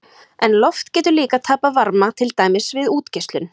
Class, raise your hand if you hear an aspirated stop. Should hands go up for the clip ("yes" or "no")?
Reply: yes